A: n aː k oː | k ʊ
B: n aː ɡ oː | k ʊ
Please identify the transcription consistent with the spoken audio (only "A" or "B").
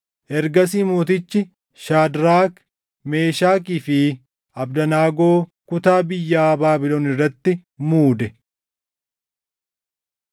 B